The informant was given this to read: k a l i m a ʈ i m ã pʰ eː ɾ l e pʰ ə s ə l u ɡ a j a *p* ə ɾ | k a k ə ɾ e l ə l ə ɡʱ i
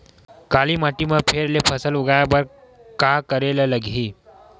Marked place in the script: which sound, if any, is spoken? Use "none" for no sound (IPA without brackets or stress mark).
b